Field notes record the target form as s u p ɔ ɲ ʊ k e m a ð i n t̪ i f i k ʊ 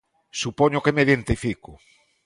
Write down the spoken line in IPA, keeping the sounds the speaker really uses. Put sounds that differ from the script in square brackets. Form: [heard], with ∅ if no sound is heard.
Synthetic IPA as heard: s u p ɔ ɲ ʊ k e m [e] ð [e] n t̪ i f i k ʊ